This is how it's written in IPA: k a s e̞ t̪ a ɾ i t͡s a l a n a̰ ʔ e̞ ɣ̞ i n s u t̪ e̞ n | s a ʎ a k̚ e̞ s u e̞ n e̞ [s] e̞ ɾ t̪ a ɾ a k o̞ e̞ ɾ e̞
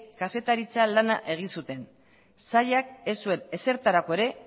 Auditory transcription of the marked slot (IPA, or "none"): s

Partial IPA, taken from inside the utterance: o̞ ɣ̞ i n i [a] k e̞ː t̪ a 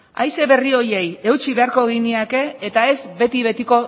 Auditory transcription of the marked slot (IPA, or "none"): a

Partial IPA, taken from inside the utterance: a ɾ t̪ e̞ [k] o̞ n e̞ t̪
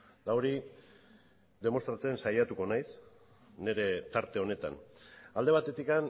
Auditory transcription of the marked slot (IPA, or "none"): none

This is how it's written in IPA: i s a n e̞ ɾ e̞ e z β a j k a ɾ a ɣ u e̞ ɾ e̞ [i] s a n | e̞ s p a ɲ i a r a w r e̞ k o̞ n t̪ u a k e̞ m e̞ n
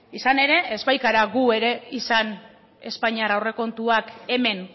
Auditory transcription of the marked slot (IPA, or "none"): i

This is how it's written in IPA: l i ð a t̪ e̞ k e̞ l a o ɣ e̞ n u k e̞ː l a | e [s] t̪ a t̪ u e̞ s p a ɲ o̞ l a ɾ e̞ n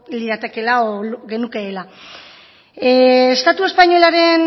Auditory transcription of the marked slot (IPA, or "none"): s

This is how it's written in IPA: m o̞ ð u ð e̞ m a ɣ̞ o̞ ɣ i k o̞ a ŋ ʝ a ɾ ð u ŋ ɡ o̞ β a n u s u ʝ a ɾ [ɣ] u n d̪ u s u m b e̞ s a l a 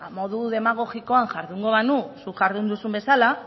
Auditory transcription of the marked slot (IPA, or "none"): ð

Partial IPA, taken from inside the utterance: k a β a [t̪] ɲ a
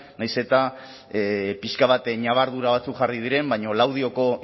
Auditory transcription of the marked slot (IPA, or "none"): t̪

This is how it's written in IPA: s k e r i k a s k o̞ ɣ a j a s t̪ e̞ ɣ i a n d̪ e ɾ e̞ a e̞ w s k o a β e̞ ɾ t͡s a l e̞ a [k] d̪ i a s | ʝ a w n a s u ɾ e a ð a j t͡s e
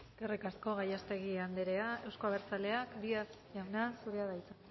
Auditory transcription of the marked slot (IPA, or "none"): k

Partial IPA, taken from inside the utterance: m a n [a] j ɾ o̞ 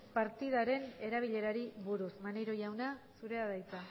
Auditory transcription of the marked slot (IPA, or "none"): e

